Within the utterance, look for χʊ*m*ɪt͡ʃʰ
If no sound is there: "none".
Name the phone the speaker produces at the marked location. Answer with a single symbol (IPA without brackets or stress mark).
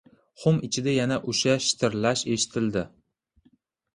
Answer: m